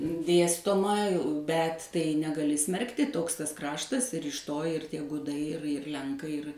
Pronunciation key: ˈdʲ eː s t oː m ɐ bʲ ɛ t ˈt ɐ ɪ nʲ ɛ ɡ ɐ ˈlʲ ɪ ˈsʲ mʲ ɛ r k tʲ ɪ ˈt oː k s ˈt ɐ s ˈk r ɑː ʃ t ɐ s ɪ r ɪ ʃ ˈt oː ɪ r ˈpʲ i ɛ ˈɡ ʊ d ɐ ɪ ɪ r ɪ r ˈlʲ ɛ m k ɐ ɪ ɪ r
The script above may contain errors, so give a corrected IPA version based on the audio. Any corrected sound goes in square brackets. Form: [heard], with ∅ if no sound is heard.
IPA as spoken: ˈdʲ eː s t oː m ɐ bʲ ɛ t ˈt ɐ ɪ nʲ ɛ ɡ ɐ ˈlʲ ɪ ˈsʲ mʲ ɛ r k tʲ ɪ ˈt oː k s ˈt ɐ s ˈk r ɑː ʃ t ɐ s ɪ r ɪ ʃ ˈt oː ɪ r [ˈtʲ] i ɛ ˈɡ ʊ d ɐ ɪ ɪ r ɪ r ˈlʲ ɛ [ŋ] k ɐ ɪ ɪ r